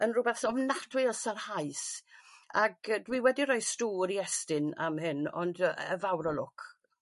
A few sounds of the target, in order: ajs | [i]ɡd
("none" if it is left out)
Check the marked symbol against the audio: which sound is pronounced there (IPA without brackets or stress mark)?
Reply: a